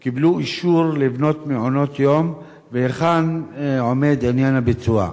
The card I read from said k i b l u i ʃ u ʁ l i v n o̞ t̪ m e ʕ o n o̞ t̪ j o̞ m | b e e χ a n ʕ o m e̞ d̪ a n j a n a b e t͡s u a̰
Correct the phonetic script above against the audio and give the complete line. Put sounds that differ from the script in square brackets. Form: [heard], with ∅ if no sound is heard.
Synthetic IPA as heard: k i b l u i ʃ u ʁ l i v n o̞ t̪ m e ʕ o n o̞ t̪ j o̞ m | [v] e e χ a n ʕ o m e̞ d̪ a n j a n a b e t͡s u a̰